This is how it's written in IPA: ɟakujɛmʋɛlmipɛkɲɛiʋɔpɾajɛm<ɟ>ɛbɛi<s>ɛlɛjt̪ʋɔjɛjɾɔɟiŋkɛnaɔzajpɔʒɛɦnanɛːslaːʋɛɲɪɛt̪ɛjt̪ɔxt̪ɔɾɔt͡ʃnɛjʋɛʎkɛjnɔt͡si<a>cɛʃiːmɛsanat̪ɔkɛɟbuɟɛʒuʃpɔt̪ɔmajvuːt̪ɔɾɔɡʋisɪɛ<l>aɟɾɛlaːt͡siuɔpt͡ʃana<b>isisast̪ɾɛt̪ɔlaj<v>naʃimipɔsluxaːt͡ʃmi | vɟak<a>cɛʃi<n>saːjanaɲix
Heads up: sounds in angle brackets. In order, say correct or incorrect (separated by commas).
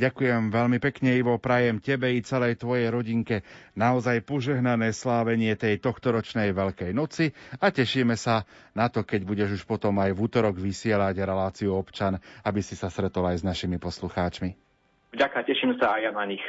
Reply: incorrect, incorrect, correct, correct, correct, incorrect, correct, incorrect